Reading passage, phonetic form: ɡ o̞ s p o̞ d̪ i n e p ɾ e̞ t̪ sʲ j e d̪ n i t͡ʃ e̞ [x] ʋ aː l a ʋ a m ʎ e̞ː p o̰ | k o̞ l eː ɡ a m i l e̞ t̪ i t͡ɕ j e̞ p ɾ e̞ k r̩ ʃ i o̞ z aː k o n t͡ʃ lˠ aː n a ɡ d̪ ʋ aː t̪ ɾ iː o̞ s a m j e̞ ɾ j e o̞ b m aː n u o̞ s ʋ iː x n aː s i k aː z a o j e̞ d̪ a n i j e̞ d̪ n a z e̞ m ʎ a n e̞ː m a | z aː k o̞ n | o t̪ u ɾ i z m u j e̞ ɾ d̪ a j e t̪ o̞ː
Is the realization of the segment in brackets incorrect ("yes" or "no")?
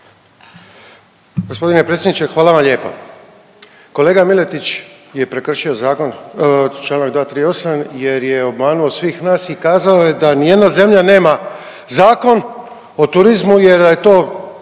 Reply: no